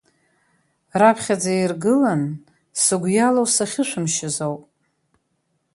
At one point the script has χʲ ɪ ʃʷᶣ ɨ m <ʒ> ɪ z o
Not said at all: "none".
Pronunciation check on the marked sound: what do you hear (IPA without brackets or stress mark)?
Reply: ʃ